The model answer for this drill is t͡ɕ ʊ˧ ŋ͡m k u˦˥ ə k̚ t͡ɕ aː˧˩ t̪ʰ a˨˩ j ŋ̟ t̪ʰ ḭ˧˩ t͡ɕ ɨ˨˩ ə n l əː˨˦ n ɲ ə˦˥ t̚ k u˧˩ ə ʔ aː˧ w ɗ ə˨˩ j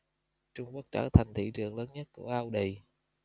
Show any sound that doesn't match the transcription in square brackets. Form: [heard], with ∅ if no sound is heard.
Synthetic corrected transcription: t͡ɕ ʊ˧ ŋ͡m k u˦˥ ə k̚ t͡ɕ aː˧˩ t̪ʰ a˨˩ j ŋ̟ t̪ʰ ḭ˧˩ t͡ɕ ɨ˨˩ ə [ŋ] l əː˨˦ n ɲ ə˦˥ t̚ k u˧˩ ə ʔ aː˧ w ɗ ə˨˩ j

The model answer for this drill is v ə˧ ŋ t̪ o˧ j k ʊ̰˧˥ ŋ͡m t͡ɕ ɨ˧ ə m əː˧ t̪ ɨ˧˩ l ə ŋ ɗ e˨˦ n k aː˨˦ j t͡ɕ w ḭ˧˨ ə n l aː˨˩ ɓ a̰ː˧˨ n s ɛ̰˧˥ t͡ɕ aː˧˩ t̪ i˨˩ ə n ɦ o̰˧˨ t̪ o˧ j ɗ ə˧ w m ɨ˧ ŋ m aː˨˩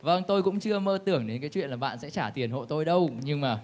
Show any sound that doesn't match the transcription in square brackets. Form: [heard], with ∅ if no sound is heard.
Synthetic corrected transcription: v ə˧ ŋ t̪ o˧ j k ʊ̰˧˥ ŋ͡m t͡ɕ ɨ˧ ə m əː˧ t̪ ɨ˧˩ [∅] ə ŋ ɗ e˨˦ n k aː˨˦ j t͡ɕ w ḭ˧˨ ə n l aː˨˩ ɓ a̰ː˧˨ n s ɛ̰˧˥ t͡ɕ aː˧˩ t̪ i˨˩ ə n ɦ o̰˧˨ t̪ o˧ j ɗ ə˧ w [ɲ] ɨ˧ ŋ m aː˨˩

